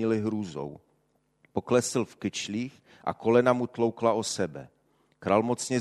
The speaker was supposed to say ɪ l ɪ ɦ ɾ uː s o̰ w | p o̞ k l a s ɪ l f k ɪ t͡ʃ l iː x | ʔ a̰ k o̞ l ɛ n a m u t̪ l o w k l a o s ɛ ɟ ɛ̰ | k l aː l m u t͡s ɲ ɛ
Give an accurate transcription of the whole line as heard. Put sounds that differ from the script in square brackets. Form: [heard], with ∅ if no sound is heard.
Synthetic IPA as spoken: ɪ l ɪ ɦ ɾ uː [z] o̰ w | p o̞ k l [ɛ] s ɪ l f k ɪ t͡ʃ l iː x | ʔ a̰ k o̞ l ɛ n a m u t̪ l o w k l a o s ɛ [b] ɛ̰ | k [ɾ] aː l m [o] t͡s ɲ ɛ